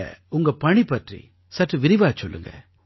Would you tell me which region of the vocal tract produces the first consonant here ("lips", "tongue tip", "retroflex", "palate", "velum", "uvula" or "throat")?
velum